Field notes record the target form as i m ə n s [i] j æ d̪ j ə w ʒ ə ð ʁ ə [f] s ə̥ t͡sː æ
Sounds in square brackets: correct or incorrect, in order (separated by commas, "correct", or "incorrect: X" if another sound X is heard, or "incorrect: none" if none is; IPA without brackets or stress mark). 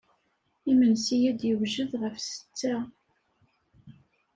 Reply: correct, correct